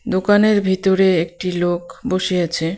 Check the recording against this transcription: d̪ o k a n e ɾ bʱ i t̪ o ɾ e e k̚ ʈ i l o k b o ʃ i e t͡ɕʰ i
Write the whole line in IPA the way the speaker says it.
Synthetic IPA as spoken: d̪ o k a n e ɾ bʱ i t̪ o ɾ e e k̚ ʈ i l o k b o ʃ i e t͡ɕʰ e